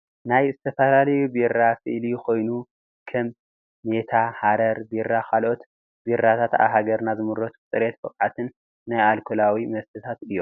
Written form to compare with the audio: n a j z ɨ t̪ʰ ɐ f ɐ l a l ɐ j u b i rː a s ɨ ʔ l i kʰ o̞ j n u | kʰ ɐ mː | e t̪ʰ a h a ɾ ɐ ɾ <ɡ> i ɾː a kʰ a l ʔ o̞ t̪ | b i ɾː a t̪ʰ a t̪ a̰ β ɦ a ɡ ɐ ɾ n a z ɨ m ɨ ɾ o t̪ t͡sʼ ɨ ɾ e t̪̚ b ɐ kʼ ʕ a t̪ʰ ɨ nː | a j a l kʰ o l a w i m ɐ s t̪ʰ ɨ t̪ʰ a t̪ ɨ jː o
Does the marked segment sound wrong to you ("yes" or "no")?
yes